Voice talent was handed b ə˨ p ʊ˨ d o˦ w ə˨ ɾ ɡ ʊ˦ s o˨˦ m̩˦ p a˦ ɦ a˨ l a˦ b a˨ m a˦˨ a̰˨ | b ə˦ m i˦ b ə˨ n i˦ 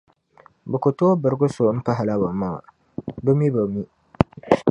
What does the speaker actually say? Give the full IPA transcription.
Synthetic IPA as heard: b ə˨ k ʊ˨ t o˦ b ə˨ ɾ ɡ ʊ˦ s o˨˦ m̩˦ p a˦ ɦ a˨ l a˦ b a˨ m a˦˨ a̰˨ | b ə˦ m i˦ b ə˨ m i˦

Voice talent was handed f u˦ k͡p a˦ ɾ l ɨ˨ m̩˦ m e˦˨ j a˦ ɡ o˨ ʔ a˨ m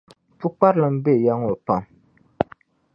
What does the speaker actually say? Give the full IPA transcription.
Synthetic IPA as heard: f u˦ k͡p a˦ ɾ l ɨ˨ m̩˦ b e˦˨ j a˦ ŋ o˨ p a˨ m

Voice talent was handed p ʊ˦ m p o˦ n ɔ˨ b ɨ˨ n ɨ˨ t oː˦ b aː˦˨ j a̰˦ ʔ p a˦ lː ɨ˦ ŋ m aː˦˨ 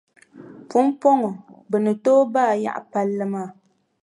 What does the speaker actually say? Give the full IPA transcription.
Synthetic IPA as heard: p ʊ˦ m p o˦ ŋ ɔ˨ b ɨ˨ n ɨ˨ t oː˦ b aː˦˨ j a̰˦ ʔ p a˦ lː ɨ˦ m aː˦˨

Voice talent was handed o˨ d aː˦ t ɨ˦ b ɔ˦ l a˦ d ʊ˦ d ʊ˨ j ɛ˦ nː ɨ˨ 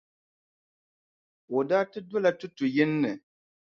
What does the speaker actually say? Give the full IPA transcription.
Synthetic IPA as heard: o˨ d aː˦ t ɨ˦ d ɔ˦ l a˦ t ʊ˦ t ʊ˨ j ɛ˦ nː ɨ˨

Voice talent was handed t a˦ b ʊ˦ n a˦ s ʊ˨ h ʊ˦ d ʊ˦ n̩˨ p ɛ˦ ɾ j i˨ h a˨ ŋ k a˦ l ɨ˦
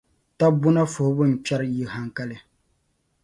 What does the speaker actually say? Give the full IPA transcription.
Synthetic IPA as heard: t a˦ b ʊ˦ n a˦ f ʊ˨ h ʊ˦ b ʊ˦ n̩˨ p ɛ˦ ɾ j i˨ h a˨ ŋ k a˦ l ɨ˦

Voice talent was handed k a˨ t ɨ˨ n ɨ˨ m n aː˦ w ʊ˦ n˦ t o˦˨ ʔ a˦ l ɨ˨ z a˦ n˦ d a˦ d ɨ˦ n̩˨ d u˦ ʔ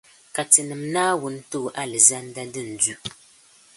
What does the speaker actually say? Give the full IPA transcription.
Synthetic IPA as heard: k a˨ t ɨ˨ n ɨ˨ m n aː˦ w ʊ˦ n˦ t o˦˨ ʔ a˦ l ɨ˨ z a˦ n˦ d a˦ d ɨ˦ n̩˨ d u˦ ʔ

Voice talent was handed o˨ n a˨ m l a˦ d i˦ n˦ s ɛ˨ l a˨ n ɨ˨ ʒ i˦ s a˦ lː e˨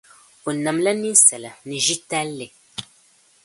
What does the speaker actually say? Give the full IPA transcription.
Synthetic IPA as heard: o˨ n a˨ m l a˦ n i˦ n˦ s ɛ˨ l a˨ n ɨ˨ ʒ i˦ t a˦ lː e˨

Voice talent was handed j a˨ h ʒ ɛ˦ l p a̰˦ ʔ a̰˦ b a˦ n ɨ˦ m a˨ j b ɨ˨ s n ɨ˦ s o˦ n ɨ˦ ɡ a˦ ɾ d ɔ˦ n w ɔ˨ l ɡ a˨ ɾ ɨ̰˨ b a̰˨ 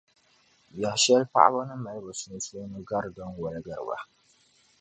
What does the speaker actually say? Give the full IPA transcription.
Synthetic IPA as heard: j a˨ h ʃ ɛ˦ l p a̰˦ ʔ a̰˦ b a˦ n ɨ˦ m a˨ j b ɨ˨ s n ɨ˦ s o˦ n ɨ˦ ɡ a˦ ɾ d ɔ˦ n w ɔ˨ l ɡ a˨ ɾ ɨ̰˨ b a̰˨

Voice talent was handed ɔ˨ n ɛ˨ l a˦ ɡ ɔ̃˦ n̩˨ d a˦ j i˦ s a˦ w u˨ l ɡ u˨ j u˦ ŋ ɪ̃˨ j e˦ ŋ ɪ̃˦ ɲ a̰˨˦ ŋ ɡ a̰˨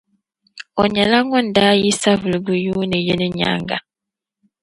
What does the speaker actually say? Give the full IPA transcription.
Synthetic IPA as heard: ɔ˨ ɲ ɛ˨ l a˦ ŋ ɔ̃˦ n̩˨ d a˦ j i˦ s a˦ v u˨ l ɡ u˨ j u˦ n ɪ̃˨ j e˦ n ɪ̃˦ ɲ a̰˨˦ ŋ ɡ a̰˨

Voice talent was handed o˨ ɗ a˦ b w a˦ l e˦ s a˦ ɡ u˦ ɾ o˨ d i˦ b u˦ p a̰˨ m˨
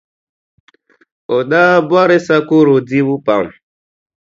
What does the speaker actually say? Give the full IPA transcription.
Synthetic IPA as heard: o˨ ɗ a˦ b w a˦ ɾ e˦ s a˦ k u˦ ɾ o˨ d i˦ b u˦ p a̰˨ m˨

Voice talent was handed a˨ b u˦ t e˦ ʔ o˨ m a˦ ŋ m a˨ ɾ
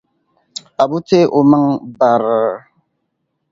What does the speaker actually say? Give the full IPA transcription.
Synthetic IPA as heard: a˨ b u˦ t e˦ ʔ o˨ m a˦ ŋ b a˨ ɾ

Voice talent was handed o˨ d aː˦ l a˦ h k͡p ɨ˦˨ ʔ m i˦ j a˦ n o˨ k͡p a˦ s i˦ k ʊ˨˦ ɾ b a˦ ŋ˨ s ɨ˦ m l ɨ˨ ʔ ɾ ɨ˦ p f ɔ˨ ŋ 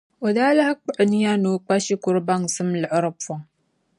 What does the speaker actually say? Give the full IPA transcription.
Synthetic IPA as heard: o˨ d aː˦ l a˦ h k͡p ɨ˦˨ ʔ n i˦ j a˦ n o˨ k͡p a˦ ʃ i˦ k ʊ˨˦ ɾ b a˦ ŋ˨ s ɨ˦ m l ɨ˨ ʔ ɾ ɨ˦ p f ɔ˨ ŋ

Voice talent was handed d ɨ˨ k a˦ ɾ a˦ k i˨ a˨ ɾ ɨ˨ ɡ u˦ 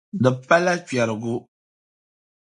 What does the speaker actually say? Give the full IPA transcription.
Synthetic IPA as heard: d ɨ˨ p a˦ l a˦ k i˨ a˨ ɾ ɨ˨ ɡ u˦

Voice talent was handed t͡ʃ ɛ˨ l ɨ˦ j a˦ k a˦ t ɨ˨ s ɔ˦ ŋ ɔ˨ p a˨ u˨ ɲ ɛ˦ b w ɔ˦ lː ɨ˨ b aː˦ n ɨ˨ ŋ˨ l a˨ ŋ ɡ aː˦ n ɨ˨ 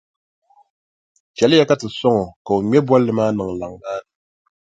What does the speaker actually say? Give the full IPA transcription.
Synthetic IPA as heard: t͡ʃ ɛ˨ l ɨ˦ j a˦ k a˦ t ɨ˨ s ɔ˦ ŋ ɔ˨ k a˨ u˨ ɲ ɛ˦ b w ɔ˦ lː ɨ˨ m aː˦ n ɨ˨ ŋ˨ l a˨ ŋ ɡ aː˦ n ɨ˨

